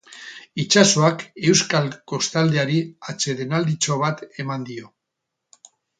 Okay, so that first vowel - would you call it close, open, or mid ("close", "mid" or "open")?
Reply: close